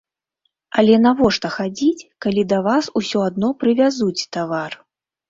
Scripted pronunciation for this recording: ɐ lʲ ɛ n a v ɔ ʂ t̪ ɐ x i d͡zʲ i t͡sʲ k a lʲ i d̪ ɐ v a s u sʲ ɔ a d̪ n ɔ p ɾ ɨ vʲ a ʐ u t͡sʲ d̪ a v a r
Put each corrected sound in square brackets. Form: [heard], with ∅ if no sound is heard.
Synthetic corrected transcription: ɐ lʲ ɛ n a v ɔ ʂ t̪ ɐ x [a] d͡zʲ i t͡sʲ k a lʲ i d̪ ɐ v a s u sʲ ɔ a d̪ n ɔ p ɾ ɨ vʲ a [z] u t͡sʲ [t̪] a v a r